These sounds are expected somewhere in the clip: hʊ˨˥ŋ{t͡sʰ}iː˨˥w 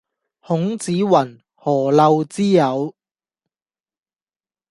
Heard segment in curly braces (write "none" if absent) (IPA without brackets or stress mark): t͡s